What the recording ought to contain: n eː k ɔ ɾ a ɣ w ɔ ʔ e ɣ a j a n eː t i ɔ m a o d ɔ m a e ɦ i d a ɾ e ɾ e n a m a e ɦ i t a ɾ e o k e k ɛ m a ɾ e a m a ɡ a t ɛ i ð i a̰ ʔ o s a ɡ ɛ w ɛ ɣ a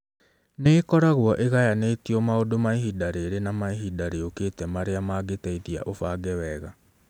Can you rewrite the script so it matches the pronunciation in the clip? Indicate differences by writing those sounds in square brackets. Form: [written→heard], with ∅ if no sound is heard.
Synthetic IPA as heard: n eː k ɔ ɾ a ɣ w ɔ ʔ e ɣ a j a n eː t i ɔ m a o d [ɔ→o] m a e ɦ i d a ɾ e ɾ e n a m a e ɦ i [t→d] a ɾ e o k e [k→t] ɛ m a ɾ e a m a ɡ [a→e] t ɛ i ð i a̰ ʔ o [s→f] a ɡ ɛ w ɛ ɣ a